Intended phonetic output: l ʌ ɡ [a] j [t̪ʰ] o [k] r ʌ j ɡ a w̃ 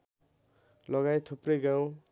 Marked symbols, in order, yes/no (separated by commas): yes, yes, no